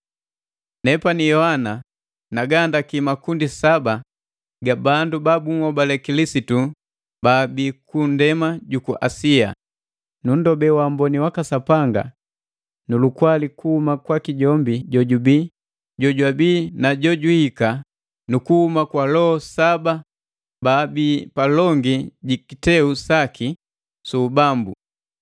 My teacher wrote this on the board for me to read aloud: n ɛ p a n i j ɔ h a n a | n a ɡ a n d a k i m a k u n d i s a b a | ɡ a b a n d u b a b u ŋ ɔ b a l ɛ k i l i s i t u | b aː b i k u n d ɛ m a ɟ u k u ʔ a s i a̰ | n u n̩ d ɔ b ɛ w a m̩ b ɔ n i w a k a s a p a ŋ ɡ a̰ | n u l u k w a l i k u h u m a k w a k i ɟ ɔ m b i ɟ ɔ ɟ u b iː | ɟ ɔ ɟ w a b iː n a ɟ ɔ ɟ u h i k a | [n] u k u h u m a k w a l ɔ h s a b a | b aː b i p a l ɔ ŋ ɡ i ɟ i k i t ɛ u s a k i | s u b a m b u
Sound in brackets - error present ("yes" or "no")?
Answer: no